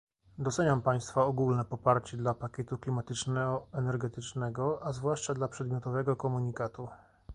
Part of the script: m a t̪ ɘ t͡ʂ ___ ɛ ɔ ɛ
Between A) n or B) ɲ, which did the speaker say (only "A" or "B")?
A